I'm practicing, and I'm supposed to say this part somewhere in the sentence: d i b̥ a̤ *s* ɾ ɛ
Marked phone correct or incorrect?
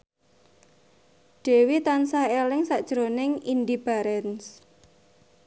incorrect